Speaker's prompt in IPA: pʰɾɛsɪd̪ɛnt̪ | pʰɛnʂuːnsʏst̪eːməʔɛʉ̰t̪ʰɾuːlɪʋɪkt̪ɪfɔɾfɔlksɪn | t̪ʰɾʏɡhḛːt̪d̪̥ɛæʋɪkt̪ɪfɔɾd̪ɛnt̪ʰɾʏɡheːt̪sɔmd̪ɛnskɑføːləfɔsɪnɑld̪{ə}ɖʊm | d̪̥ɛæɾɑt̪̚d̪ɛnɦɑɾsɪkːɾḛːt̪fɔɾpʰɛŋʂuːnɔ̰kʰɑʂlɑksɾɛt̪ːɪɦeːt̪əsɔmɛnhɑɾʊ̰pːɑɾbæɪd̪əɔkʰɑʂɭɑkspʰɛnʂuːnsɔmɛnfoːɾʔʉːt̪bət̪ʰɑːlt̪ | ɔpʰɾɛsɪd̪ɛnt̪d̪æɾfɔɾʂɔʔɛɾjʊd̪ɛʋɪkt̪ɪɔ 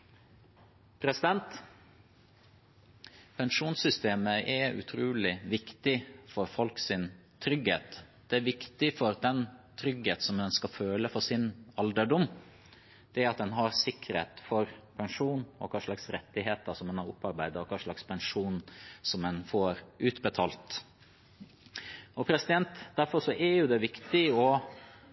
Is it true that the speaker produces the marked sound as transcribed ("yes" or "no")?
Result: yes